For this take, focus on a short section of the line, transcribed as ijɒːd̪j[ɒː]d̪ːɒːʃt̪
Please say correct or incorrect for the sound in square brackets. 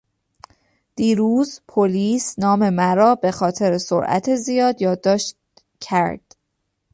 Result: correct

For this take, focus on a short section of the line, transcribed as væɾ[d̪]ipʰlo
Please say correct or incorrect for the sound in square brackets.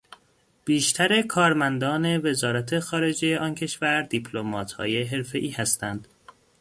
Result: correct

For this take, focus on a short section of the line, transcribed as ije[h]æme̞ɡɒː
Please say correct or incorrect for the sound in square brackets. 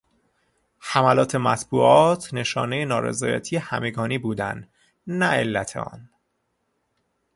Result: correct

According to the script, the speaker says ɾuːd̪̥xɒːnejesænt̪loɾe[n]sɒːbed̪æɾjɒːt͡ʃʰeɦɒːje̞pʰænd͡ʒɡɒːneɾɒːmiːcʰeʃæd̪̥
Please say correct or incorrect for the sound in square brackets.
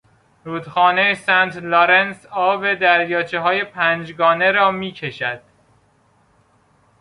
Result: correct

